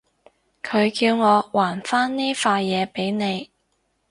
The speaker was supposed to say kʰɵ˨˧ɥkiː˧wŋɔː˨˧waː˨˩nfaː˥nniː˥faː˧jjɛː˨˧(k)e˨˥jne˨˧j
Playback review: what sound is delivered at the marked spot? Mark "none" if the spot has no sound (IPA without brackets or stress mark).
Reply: p